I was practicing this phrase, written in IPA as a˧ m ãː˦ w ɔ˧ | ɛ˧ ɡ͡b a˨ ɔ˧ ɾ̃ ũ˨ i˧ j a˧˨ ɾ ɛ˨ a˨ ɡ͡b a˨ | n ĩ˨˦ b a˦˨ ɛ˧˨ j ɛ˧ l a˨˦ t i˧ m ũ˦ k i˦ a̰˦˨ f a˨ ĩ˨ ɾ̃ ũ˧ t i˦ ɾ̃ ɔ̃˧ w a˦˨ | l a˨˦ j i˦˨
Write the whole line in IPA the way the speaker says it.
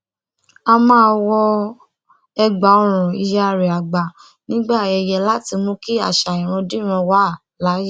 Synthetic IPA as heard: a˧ m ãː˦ w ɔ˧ | ɛ˧ ɡ͡b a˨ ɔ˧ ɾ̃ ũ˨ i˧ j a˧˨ ɾ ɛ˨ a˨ ɡ͡b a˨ | n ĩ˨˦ ɡ͡b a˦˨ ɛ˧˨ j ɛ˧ l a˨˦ t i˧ m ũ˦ k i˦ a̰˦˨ ʃ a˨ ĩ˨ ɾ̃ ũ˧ d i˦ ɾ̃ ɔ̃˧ w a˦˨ | l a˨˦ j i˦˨